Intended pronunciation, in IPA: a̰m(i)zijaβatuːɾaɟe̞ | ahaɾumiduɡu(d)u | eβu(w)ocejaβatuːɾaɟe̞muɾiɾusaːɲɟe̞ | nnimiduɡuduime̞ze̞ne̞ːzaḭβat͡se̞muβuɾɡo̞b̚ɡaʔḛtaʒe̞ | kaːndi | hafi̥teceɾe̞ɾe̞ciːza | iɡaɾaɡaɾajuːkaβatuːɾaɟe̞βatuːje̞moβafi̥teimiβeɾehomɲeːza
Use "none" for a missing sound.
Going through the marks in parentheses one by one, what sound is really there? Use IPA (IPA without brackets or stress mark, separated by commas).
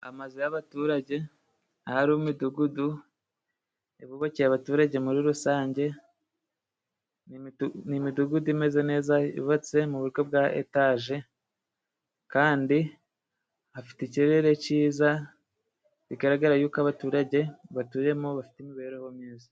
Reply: a, d, β